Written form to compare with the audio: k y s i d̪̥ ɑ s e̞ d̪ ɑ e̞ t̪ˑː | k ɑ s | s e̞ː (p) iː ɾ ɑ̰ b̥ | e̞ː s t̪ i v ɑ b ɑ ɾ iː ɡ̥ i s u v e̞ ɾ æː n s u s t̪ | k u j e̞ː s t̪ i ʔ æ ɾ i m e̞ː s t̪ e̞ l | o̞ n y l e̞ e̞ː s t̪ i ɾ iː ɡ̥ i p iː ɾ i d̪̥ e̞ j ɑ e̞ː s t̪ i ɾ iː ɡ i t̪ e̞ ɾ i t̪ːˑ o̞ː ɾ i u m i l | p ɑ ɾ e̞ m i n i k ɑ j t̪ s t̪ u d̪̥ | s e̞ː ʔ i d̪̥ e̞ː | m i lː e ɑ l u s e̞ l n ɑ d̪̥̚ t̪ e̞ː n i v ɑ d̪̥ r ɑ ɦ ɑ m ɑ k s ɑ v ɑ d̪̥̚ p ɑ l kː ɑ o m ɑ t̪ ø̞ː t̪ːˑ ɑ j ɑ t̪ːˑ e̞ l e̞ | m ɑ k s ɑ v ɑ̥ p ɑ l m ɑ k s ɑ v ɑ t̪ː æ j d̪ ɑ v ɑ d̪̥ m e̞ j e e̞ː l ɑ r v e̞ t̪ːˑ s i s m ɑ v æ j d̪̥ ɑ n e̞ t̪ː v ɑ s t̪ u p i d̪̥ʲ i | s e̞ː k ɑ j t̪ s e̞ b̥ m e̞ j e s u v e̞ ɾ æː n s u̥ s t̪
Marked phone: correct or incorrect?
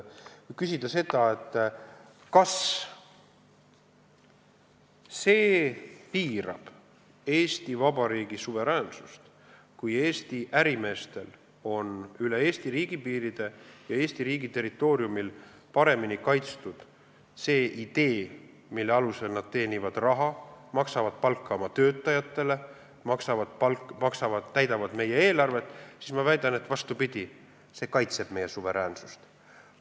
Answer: correct